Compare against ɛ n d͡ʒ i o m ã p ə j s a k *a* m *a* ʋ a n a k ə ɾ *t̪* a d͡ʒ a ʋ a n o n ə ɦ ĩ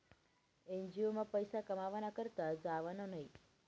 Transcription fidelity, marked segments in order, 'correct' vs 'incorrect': incorrect: ə, correct, correct

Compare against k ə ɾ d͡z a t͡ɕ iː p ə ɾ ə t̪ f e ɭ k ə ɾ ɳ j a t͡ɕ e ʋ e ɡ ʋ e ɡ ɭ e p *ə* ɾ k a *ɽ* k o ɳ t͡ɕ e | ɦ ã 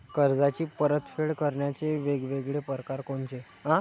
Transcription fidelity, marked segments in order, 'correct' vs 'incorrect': correct, incorrect: ɾ

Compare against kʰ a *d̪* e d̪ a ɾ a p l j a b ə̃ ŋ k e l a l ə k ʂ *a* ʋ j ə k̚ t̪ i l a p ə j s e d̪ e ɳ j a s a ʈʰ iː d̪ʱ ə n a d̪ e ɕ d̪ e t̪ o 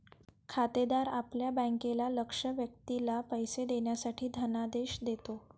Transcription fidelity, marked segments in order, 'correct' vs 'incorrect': incorrect: t̪, incorrect: ə

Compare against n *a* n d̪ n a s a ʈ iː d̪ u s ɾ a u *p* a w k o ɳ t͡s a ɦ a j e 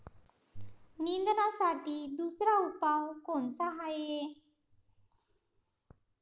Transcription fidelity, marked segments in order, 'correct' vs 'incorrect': incorrect: i, correct

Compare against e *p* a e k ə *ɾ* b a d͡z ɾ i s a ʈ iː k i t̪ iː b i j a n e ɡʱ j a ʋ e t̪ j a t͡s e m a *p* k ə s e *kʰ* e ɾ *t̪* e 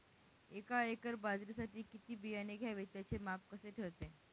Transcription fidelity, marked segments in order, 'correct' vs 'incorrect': incorrect: k, correct, correct, incorrect: ʈʰ, correct

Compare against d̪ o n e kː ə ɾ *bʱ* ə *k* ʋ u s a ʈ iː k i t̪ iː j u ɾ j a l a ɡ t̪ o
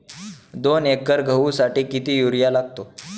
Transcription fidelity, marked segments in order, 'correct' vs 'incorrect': incorrect: ɡʱ, incorrect: none

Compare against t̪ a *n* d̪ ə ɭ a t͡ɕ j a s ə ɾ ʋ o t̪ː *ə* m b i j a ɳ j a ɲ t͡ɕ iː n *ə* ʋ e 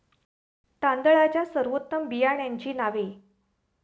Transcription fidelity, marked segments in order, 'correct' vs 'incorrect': correct, correct, incorrect: a

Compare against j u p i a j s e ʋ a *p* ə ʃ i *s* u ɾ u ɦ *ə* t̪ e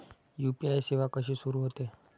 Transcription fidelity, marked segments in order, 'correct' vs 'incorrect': incorrect: k, correct, correct

